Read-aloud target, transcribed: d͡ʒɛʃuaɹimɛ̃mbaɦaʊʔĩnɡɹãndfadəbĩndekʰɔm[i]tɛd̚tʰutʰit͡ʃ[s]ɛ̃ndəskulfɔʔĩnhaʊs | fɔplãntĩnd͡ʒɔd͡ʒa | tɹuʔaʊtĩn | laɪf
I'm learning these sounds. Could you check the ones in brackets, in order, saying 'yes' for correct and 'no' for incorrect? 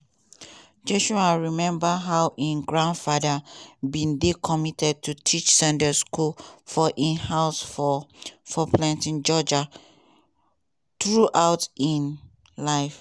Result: yes, yes

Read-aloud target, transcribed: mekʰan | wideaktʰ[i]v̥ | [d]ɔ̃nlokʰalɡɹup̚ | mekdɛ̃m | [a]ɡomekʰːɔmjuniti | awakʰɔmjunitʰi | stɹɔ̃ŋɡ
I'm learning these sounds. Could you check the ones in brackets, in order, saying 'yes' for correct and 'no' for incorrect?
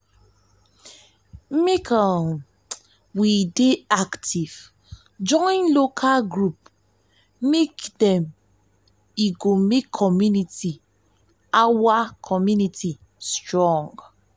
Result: yes, no, no

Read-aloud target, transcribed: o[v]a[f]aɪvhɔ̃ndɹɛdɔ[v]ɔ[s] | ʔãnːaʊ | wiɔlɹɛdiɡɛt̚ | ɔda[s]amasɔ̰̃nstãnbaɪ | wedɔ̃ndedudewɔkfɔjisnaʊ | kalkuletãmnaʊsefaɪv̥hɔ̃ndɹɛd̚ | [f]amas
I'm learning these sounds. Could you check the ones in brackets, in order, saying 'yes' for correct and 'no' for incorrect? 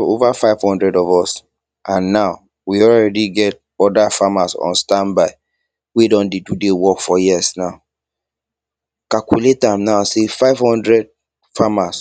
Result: yes, yes, yes, yes, no, yes

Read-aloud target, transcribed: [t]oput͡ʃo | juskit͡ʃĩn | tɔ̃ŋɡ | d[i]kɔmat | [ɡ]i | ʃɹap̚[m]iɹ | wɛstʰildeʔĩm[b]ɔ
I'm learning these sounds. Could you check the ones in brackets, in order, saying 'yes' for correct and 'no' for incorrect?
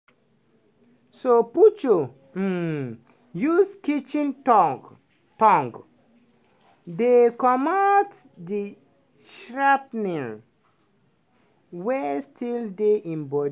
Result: no, no, no, no, yes

